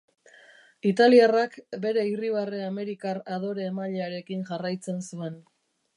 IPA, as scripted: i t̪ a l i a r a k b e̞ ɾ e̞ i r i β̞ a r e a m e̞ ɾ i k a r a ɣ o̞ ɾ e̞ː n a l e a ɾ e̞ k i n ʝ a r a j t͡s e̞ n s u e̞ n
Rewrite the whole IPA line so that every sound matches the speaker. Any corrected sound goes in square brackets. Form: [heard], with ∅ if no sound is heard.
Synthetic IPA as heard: i t̪ a l i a r a k b e̞ ɾ e̞ i r i β̞ a r e a m e̞ ɾ i k a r a [ð] o̞ ɾ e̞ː [m] a [ʎ] e a ɾ e̞ k i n ʝ a r a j t͡s e̞ n s u e̞ n

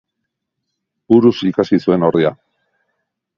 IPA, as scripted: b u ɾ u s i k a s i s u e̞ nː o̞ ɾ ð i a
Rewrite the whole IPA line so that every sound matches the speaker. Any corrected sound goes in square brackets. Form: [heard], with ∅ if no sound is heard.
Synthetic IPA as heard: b u ɾ u s i k a s i s u e̞ [n] o̞ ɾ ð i a

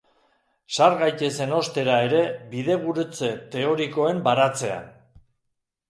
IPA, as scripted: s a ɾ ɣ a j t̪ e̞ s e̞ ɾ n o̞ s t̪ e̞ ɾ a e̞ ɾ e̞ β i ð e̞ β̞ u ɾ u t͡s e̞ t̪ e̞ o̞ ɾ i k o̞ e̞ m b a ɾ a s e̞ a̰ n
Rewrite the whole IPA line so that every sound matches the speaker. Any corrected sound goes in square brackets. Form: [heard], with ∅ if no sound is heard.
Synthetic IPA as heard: s a ɾ ɣ a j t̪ e̞ s e̞ [∅] n o̞ s t̪ e̞ ɾ a e̞ ɾ e̞ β i ð e̞ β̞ u ɾ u t͡s e̞ t̪ e̞ o̞ ɾ i k o̞ e̞ m b a ɾ a [t͡s] e̞ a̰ n

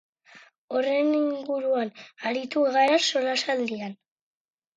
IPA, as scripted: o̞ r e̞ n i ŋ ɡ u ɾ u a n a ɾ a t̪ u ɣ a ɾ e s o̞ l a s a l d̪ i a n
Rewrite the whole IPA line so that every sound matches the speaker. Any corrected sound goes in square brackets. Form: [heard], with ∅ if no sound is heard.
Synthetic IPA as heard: o̞ r e̞ n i ŋ ɡ u ɾ u a n a ɾ [i] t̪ u ɣ a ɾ [a] s o̞ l a s a l d̪ i a n

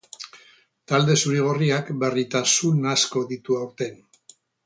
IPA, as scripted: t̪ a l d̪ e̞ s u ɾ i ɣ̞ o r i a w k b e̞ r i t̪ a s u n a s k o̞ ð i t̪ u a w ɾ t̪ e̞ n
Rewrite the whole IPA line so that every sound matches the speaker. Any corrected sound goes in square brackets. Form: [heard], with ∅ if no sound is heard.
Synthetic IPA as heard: t̪ a l d̪ e̞ s u ɾ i ɣ̞ o r i a [∅] k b e̞ r i t̪ a s u n a s k o̞ ð i t̪ u a w ɾ t̪ e̞ n

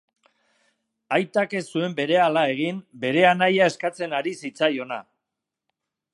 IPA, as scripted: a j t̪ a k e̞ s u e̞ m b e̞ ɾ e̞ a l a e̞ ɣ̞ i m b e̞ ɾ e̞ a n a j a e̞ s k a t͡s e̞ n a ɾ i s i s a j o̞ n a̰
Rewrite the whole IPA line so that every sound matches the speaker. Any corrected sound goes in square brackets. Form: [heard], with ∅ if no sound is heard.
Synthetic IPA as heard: a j t̪ a k e̞ s u e̞ m b e̞ ɾ e̞ a l a e̞ ɣ̞ i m b e̞ ɾ e̞ a n a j a e̞ s k a t͡s e̞ n a ɾ i s i [t͡s] a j o̞ n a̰

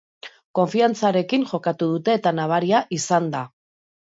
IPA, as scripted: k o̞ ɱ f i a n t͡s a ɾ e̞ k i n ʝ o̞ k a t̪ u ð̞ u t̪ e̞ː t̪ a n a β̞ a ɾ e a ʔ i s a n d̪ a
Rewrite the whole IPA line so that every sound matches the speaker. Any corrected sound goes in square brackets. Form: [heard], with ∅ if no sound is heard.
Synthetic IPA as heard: k o̞ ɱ f i a n t͡s a ɾ e̞ k i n ʝ o̞ k a t̪ u ð̞ u t̪ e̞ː t̪ a n a β̞ a ɾ [i] a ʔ i s a n d̪ a

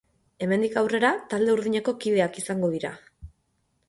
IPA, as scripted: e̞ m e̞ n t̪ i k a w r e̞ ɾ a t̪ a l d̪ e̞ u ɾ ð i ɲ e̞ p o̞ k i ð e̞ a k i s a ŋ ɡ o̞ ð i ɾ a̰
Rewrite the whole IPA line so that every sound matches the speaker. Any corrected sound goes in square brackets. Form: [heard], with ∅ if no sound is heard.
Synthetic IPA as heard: e̞ m e̞ n [d̪] i k a w r e̞ ɾ a t̪ a l d̪ e̞ u ɾ ð i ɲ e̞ [k] o̞ k i ð e̞ a k i s a ŋ ɡ o̞ ð i ɾ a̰

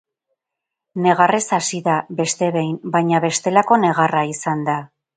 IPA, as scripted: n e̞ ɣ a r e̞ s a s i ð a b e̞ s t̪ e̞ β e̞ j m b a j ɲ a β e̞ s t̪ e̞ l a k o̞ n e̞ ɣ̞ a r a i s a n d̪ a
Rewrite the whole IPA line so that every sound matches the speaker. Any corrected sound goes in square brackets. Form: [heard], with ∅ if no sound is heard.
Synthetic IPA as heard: n e̞ ɣ a r e̞ s a s i ð a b e̞ s t̪ e̞ β e̞ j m b a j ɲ a β e̞ s t̪ e̞ l a k o̞ n e̞ ɣ̞ a r a i s a n d̪ a

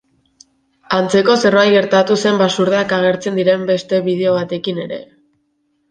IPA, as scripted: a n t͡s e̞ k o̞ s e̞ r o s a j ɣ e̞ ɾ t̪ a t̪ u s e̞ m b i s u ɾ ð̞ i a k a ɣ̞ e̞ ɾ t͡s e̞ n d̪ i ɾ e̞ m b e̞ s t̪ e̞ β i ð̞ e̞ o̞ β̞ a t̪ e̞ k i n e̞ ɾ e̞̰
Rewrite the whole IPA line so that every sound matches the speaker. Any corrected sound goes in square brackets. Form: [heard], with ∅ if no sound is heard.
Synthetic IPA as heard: a n t͡s e̞ k o̞ s e̞ r o [∅] a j ɣ e̞ ɾ t̪ a t̪ u s e̞ m b [a] s u ɾ ð̞ [e] a k a ɣ̞ e̞ ɾ t͡s e̞ n d̪ i ɾ e̞ m b e̞ s t̪ e̞ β i ð̞ e̞ o̞ β̞ a t̪ e̞ k i n e̞ ɾ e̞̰

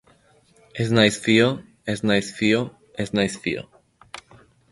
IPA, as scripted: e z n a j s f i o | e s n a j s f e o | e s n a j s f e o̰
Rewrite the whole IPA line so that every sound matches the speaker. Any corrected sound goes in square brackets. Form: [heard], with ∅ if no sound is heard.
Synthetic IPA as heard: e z n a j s f i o | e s n a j s f [i] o | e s n a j s f [i] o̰

